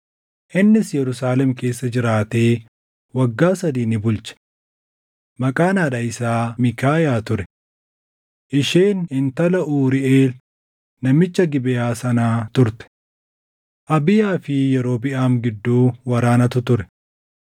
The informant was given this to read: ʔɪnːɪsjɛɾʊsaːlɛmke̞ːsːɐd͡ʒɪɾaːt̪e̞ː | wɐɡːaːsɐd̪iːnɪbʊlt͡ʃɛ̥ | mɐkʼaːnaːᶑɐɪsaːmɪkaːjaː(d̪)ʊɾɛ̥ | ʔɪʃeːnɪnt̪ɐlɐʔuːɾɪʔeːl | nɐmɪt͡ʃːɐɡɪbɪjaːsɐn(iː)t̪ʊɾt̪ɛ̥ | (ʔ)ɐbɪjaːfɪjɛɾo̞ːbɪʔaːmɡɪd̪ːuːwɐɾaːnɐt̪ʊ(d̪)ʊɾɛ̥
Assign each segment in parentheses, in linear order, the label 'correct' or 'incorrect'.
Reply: incorrect, incorrect, correct, incorrect

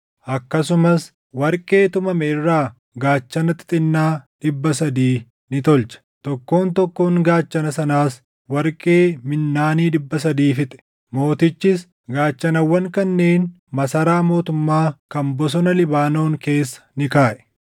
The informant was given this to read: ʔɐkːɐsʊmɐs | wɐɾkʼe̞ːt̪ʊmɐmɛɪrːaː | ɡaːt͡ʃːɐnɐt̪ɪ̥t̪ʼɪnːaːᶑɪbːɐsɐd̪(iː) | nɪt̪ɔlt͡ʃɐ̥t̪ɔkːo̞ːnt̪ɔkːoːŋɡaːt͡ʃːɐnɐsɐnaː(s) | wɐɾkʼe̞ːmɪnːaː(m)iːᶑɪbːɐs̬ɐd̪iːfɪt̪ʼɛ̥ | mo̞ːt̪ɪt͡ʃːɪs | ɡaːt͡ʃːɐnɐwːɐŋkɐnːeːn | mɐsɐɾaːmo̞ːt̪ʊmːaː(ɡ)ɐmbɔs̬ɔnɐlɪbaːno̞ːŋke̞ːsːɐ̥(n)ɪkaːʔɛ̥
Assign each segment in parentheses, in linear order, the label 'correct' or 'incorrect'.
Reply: correct, correct, incorrect, incorrect, correct

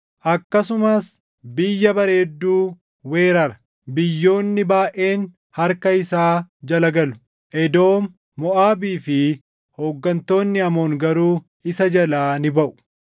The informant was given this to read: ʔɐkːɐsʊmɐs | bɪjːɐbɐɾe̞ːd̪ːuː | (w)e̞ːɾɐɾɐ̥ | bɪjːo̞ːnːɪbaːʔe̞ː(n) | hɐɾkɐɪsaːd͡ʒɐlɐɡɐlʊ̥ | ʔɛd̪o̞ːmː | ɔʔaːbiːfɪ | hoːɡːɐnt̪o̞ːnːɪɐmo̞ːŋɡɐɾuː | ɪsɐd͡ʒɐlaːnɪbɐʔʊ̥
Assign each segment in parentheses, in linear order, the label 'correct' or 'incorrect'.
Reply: correct, correct

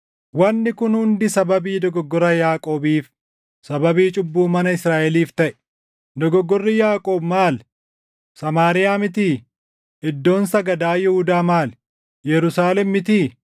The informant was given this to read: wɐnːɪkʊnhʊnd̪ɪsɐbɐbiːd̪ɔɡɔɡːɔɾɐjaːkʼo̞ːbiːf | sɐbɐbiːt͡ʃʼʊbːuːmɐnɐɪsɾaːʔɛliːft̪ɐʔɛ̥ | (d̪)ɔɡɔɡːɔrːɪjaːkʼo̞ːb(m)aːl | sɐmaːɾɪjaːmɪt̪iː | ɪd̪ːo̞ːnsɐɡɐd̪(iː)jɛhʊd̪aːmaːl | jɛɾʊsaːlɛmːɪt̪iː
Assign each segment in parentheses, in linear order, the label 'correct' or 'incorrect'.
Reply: correct, correct, incorrect

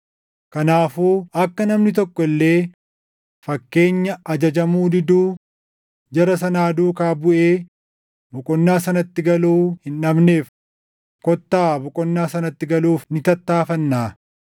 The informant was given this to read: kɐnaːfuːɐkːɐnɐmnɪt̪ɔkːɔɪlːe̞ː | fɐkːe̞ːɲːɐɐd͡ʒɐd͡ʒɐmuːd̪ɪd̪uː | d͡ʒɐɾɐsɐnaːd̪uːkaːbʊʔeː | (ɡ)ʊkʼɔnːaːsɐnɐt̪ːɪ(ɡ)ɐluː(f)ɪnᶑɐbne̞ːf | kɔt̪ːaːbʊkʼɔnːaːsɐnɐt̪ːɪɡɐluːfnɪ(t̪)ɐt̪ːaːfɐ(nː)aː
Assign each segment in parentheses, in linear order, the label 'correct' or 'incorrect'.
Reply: incorrect, correct, incorrect, correct, correct

